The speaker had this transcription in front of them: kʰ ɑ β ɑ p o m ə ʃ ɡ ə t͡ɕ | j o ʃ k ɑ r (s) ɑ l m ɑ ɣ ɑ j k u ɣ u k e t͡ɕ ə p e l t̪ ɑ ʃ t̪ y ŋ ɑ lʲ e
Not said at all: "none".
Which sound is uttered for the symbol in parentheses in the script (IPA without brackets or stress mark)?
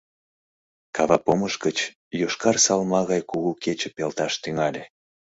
s